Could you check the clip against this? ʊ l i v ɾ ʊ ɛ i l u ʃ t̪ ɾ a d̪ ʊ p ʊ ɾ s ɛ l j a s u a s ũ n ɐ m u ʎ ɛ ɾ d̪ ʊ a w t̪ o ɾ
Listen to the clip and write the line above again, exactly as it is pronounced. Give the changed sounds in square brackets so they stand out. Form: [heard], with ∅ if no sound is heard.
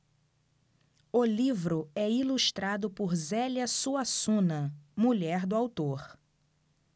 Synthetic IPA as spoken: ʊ l i v ɾ ʊ ɛ i l u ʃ t̪ ɾ a d̪ ʊ p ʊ ɾ [z] ɛ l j [ɐ] s u a s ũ n ɐ m u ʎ ɛ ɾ d̪ ʊ a w t̪ o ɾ